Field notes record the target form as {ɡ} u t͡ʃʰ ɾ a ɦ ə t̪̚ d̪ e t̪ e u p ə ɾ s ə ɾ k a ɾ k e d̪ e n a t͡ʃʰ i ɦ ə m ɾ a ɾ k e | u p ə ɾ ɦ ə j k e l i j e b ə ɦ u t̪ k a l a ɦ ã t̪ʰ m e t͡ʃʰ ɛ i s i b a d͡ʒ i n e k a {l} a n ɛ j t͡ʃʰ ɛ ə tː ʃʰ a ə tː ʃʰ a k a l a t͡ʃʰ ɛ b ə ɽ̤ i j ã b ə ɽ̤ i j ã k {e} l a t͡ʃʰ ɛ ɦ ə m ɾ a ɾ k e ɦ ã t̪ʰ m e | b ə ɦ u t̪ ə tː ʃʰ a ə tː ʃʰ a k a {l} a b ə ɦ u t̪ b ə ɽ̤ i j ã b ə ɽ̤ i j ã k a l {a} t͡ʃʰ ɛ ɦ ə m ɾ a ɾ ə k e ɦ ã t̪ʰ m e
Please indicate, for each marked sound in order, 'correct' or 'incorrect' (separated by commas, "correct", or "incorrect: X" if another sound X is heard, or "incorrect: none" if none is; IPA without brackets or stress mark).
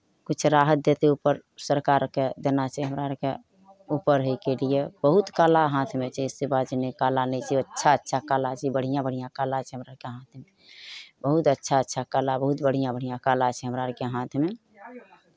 incorrect: k, correct, incorrect: a, correct, correct